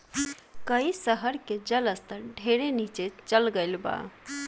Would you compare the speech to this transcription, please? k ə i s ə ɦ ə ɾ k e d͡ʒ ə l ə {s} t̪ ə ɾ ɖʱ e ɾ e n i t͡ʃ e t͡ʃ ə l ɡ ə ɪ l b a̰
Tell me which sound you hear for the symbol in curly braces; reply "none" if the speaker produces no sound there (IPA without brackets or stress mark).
s